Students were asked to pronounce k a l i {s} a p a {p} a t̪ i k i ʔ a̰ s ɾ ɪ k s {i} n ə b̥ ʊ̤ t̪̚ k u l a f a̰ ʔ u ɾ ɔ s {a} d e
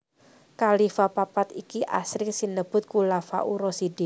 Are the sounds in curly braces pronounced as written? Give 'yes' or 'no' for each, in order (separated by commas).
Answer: no, yes, yes, no